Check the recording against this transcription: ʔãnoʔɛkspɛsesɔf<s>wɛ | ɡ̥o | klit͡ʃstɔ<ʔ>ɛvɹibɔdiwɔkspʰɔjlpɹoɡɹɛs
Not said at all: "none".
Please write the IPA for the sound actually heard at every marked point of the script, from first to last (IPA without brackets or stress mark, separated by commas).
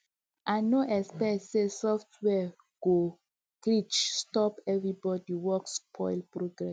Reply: t, p